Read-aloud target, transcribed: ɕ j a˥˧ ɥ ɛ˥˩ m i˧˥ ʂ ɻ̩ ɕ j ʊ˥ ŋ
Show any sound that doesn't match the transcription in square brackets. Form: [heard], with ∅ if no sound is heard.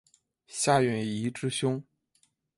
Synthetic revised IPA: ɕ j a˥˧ ɥ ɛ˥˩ [n] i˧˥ [ʈ͡ʂ] ɻ̩ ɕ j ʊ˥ ŋ

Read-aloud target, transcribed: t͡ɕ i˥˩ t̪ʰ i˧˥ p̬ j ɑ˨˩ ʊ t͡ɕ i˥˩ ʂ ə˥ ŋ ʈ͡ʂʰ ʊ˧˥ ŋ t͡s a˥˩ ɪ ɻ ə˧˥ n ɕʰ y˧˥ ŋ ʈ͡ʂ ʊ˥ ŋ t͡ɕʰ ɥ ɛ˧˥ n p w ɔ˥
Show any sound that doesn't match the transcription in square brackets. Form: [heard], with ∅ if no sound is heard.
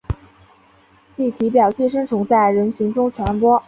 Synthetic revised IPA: t͡ɕ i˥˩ t̪ʰ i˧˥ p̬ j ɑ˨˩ ʊ t͡ɕ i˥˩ ʂ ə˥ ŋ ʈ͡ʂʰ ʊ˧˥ ŋ t͡s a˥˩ ɪ ɻ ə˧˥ n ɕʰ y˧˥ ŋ ʈ͡ʂ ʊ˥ ŋ t͡ɕʰ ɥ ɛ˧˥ n p w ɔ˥

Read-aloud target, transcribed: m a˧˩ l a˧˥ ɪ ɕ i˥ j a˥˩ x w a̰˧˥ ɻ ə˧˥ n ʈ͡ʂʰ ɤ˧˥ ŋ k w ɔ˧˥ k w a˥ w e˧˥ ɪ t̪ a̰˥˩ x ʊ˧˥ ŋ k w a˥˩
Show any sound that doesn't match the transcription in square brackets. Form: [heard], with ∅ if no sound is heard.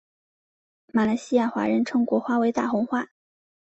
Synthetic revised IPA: m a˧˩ l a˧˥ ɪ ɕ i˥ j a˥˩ x w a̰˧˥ ɻ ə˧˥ n ʈ͡ʂʰ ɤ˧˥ ŋ k w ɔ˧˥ [x] w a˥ w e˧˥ ɪ t̪ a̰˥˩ x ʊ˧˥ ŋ [x] w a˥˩

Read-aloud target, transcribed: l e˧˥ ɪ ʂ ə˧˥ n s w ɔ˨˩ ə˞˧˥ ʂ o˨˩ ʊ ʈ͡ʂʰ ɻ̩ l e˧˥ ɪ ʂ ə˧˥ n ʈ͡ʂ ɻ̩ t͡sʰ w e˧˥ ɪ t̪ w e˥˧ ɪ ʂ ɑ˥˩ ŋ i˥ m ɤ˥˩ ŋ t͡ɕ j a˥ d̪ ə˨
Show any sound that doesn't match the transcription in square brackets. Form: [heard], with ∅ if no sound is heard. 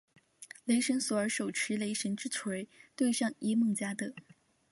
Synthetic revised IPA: l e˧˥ ɪ ʂ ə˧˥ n s w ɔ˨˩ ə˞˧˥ ʂ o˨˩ ʊ ʈ͡ʂʰ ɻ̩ l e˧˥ ɪ ʂ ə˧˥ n ʈ͡ʂ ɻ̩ t͡sʰ w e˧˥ ɪ t̪ w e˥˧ ɪ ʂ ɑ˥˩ ŋ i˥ m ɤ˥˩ ŋ t͡ɕ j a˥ d̪ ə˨

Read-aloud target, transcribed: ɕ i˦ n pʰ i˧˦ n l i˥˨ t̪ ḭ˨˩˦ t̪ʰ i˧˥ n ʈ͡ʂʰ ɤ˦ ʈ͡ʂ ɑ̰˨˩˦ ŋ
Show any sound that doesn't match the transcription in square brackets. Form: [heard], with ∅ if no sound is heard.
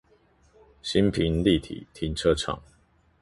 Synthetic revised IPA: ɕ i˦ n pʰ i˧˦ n l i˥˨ [t̪ʰ] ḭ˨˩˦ t̪ʰ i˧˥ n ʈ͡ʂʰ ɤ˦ [ʈ͡ʂʰ] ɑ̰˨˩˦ ŋ

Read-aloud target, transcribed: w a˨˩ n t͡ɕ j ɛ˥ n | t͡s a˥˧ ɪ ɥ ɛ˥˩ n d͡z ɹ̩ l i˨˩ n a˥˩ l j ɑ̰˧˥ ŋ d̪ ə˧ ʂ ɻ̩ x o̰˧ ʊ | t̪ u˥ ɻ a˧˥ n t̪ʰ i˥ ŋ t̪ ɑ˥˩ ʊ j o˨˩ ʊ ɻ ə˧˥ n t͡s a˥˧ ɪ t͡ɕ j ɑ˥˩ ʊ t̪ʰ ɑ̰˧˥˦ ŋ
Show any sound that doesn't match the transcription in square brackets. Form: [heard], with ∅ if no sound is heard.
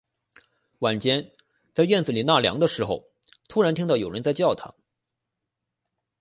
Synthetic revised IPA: w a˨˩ n t͡ɕ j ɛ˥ n | t͡s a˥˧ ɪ ɥ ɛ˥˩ n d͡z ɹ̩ l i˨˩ n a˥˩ l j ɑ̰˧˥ ŋ d̪ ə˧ ʂ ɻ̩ x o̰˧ ʊ | [t̪ʰ] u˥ ɻ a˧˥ n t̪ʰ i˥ ŋ t̪ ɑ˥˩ ʊ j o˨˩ ʊ ɻ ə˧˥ n t͡s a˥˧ ɪ t͡ɕ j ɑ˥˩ ʊ t̪ʰ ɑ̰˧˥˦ ŋ

